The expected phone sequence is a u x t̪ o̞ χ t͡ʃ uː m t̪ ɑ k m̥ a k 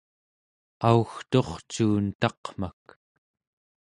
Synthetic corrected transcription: a u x t̪ o̞ χ t͡ʃ uː n t̪ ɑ q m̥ a k